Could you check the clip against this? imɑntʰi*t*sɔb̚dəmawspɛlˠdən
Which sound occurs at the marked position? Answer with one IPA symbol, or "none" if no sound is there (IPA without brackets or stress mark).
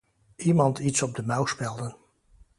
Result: t